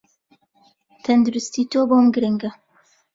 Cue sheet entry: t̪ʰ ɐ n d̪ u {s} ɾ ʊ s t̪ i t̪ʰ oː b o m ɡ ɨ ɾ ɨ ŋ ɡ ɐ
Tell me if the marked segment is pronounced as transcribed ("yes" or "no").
no